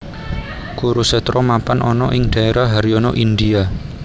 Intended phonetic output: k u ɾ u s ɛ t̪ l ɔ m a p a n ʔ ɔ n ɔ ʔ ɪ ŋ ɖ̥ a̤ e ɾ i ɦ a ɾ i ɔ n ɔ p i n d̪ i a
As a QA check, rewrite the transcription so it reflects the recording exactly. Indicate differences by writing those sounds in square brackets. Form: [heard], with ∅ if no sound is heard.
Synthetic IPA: k u ɾ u s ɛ t̪ [ɾ] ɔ m a p a n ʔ ɔ n ɔ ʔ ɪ ŋ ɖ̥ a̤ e ɾ [a] ɦ a ɾ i ɔ n ɔ [ʔ] i n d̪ i a

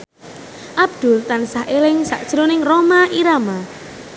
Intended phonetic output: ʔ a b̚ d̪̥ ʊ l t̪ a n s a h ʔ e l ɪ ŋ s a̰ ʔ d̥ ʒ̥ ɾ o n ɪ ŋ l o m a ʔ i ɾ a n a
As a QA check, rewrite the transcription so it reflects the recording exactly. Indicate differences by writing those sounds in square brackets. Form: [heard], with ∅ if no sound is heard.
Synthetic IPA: ʔ a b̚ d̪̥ ʊ l t̪ a n s a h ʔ e l ɪ ŋ s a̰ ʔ d̥ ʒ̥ ɾ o n ɪ ŋ [r] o m a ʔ i ɾ a [m] a

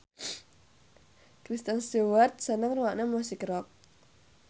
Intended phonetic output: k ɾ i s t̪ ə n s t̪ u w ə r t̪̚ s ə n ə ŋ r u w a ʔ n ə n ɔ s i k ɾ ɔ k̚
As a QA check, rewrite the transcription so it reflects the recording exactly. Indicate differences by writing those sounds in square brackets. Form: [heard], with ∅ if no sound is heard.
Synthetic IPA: k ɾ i s t̪ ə n s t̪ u w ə r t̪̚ s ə n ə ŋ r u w a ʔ n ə [m] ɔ s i k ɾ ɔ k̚

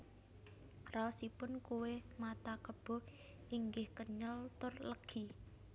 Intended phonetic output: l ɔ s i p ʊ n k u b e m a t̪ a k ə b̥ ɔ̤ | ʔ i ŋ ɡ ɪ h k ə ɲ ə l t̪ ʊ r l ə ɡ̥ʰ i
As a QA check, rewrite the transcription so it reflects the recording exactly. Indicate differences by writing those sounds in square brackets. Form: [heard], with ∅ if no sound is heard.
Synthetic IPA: [r] ɔ s i p ʊ n k u [w] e m a t̪ a k ə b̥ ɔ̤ | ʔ i ŋ ɡ ɪ h k ə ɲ ə l t̪ ʊ r l ə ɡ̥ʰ i

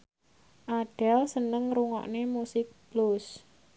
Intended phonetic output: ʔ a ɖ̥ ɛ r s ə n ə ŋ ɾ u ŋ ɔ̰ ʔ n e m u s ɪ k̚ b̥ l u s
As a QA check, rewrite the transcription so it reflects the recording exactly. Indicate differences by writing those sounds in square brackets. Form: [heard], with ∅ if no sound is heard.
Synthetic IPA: ʔ a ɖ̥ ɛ [l] s ə n ə ŋ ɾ u ŋ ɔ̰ ʔ n e m u s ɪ k̚ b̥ l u s

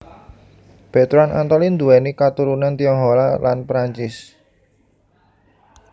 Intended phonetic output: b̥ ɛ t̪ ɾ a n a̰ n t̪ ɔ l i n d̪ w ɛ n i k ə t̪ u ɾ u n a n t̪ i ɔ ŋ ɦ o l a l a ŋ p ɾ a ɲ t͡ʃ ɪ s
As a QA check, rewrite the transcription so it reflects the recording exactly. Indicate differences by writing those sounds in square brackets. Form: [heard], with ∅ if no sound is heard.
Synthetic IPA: b̥ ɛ t̪ ɾ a n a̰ n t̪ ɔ l i n d̪ [u] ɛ n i k [a] t̪ u ɾ u n a n t̪ i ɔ ŋ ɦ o l a l a [n] p ɾ a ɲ t͡ʃ ɪ s

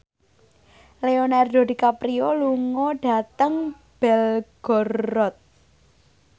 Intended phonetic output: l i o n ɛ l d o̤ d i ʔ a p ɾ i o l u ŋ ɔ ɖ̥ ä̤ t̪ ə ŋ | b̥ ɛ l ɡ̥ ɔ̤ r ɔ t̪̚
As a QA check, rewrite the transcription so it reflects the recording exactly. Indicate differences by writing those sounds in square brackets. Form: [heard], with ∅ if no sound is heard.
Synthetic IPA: l [e] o n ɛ [r] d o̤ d i [k] a p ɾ i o l u ŋ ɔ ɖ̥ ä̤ t̪ ə ŋ | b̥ ɛ l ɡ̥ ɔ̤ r ɔ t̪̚

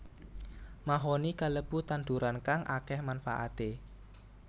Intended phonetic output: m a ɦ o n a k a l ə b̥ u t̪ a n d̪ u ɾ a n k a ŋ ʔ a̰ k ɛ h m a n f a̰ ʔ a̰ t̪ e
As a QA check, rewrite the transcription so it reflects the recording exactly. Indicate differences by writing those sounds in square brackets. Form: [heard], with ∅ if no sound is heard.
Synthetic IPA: m a ɦ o n [i] k a l ə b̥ u t̪ a n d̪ u ɾ a n k a ŋ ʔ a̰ k ɛ h m a n f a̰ ʔ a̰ t̪ e

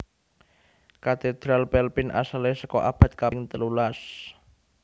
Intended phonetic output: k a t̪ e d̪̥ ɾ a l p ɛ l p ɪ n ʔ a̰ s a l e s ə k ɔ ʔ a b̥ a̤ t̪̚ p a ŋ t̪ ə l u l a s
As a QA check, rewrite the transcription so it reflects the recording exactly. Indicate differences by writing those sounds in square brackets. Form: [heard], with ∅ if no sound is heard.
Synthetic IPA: k a t̪ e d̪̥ ɾ a l p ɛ l p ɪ n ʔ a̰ s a l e s ə k ɔ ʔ a b̥ a̤ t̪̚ [k] a ŋ t̪ ə l u l a s

